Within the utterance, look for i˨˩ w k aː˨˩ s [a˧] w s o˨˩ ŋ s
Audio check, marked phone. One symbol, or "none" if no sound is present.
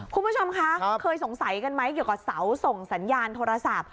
a˩˦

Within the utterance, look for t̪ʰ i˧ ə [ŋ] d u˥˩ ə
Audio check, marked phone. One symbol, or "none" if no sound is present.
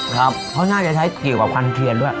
n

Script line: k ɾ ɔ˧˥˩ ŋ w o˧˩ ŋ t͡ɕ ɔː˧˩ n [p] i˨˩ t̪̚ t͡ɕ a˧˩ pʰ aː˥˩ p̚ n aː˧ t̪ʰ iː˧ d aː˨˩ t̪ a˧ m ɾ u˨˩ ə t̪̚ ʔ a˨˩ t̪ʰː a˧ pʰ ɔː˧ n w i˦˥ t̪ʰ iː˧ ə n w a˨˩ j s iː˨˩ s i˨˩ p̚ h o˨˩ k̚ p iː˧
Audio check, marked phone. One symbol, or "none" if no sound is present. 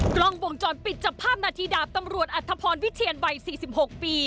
p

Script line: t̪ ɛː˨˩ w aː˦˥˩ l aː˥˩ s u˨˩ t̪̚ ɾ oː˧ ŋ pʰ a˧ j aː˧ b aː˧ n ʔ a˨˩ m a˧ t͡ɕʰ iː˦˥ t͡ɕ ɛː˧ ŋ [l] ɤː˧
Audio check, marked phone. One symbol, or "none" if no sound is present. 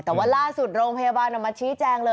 l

